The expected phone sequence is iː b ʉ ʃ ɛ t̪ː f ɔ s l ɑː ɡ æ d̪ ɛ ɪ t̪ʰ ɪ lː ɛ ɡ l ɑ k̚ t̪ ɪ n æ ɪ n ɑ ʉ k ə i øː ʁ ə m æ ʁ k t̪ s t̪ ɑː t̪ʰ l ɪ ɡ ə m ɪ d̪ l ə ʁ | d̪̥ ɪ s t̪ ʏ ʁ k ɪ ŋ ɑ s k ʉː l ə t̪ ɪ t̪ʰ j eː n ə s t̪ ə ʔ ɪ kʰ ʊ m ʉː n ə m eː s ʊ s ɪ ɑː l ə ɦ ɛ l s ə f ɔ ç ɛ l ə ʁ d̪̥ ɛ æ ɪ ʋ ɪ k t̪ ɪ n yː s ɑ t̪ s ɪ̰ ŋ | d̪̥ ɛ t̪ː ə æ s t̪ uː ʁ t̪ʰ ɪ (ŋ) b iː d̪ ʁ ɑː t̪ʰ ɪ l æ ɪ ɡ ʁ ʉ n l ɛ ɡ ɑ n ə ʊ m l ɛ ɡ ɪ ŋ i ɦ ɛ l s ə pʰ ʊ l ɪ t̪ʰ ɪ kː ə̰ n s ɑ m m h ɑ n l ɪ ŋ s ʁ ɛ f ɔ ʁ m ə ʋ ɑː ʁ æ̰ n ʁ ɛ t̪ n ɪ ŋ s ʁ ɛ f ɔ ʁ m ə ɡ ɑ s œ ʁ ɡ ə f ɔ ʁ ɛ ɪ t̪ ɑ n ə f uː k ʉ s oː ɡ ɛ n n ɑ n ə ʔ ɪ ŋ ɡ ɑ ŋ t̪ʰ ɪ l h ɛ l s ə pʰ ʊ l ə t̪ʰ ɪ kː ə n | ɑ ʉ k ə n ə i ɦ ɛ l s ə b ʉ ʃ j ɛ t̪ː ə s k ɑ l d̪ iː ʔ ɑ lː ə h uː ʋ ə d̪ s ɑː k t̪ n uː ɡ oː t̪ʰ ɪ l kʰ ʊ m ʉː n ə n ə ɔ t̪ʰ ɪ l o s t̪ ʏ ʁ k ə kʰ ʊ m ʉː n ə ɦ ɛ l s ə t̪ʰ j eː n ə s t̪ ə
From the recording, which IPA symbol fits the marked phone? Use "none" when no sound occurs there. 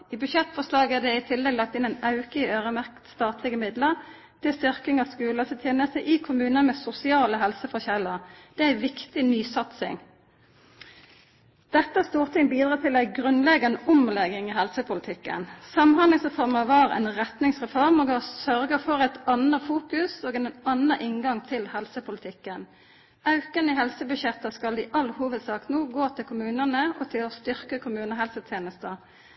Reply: ŋ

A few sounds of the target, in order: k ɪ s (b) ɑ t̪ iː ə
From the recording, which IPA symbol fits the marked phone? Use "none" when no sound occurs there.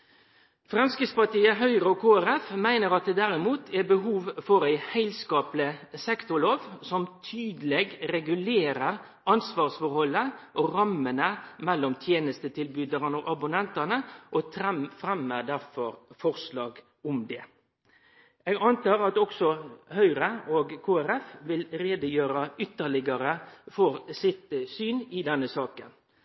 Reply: p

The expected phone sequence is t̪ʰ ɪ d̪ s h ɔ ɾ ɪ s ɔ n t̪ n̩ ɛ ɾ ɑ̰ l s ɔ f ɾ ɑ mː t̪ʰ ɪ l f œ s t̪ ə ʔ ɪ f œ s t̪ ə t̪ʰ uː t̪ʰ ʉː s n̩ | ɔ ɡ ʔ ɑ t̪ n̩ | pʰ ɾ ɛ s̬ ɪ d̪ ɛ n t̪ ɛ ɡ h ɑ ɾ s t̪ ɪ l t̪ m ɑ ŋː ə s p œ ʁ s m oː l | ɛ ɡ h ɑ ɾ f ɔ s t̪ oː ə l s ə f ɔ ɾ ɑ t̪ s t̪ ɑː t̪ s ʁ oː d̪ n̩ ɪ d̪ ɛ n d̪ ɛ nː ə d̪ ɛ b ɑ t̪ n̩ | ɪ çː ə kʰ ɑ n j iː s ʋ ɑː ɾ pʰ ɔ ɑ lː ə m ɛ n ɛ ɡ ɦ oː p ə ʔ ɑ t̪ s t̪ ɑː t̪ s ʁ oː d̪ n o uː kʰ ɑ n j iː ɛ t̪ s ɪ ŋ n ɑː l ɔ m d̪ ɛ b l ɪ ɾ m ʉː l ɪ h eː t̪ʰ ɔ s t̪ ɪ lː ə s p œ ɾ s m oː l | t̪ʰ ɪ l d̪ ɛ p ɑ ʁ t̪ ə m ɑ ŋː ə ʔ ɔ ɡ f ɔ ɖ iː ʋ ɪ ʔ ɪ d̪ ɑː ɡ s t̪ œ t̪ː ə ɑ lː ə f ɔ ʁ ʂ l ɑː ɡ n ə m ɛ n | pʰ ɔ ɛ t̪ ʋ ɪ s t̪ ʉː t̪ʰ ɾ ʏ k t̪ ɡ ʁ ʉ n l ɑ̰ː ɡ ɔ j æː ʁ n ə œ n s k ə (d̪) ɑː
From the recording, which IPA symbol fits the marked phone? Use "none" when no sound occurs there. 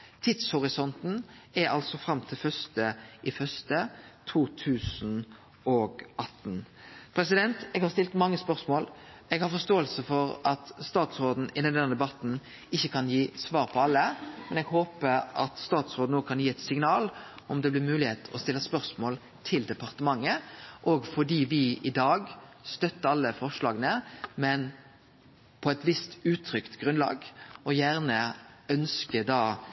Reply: d̪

